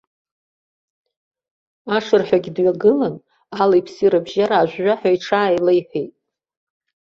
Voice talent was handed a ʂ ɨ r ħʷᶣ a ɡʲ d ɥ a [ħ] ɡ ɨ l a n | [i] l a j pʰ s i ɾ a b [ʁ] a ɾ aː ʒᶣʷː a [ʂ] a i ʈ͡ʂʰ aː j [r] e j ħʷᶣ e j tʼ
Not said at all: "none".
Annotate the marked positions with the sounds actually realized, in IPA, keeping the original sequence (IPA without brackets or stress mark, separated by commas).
none, a, ʒ, ħ, l